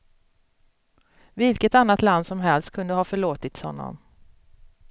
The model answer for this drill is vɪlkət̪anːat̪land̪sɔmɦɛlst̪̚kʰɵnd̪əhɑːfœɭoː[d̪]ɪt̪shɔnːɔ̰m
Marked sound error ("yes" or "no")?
yes